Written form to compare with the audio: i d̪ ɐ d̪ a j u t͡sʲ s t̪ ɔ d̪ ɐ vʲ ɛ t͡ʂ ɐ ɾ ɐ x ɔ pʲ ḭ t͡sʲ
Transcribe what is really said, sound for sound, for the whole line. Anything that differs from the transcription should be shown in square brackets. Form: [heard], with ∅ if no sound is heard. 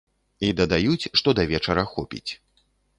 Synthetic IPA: i d̪ ɐ d̪ a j u t͡sʲ [ʂ] t̪ ɔ d̪ ɐ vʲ ɛ t͡ʂ ɐ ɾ ɐ x ɔ pʲ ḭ t͡sʲ